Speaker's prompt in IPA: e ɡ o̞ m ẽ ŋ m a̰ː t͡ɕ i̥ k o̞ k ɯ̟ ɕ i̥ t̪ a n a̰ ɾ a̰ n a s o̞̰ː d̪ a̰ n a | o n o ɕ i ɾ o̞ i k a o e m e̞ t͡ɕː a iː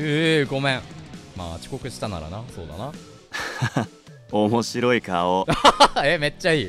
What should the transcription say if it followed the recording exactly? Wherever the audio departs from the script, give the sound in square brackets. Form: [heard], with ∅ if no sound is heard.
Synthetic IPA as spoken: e ɡ o̞ m ẽ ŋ m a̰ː t͡ɕ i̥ k o̞ k ɯ̟ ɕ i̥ t̪ a n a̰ ɾ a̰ n a s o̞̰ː d̪ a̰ n a | o [m] o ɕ i ɾ o̞ i k a o e m e̞ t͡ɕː a iː